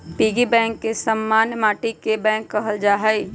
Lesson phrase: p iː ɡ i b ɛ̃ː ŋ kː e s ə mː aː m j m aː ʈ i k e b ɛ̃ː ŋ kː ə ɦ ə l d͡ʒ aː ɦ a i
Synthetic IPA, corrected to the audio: p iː ɡ i b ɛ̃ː ŋ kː e s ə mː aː n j m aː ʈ i k e b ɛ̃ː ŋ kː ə ɦ ə l d͡ʒ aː ɦ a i

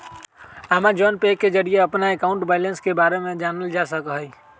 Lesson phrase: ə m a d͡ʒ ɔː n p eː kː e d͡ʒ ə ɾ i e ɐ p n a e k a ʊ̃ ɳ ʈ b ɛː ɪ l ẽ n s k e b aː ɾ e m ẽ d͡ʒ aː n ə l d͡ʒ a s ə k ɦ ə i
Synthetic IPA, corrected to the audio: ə m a d͡ʒ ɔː n p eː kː e d͡ʒ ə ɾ i e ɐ p n a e k a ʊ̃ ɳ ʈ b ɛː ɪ l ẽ n s k e b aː ɾ e m ẽ d͡ʒ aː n ə l d͡ʒ a s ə k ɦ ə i

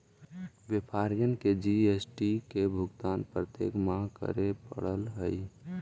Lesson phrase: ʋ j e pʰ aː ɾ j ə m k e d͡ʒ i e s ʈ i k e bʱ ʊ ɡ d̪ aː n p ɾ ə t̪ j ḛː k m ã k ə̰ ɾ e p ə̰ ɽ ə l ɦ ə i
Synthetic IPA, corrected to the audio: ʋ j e pʰ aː ɾ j ə n k e d͡ʒ i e s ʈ i k e bʱ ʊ ɡ t̪ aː n p ɾ ə t̪ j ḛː k m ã k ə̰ ɾ e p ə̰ ɽ ə l ɦ ə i

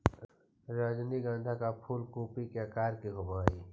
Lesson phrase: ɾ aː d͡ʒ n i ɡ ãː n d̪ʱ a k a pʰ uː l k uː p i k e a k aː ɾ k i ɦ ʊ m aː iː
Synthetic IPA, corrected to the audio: ɾ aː d͡ʒ n i ɡ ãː n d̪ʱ a k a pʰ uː l k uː p i k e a k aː ɾ k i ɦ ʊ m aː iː

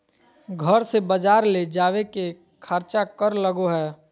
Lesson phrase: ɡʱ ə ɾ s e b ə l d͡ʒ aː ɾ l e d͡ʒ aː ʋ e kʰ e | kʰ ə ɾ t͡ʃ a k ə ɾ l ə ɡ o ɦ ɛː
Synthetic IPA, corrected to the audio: ɡʱ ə ɾ s e b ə d͡ʒ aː ɾ l e d͡ʒ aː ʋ e k e | kʰ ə ɾ t͡ʃ a k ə ɾ l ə ɡ o ɦ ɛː

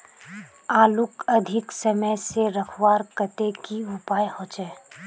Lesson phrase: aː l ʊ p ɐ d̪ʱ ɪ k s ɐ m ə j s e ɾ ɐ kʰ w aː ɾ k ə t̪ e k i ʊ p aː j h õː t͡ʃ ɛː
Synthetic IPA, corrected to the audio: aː l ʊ k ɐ d̪ʱ ɪ k s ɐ m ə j s e ɾ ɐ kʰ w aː ɾ k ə t̪ e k i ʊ p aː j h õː t͡ʃ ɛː

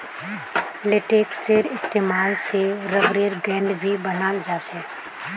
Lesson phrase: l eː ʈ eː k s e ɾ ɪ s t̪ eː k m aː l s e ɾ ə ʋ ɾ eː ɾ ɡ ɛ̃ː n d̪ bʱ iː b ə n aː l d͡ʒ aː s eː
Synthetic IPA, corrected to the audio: l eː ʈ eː k s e ɾ ɪ s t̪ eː m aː l s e ɾ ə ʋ ɾ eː ɾ ɡ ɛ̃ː n d̪ bʱ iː b ə n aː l d͡ʒ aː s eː

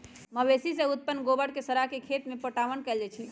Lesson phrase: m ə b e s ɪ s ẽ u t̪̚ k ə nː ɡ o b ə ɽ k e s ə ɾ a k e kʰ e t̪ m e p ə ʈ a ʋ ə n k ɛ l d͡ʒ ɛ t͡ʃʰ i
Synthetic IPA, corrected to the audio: m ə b e s i s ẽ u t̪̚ p ə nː ɡ o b ə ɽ k e s ə ɾ a k e kʰ e t̪ m e p ə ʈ a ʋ ə n k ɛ l d͡ʒ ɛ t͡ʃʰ i

